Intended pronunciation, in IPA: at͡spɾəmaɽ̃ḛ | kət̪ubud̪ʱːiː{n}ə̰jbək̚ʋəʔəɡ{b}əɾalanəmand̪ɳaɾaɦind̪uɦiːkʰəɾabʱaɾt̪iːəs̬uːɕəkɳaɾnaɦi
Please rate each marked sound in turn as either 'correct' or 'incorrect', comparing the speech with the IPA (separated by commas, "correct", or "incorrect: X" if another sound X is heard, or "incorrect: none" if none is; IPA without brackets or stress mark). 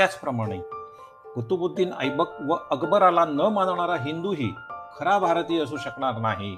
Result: correct, correct